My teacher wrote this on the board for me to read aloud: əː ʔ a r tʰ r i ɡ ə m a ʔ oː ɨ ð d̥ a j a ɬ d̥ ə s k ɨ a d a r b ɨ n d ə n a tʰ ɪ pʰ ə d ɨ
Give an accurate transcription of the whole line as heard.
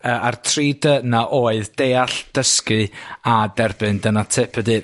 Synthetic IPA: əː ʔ a r tʰ r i d ə n a ʔ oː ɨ ð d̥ e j a ɬ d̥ ə s k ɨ a d ɛ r b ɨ n d ə n a tʰ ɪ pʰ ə d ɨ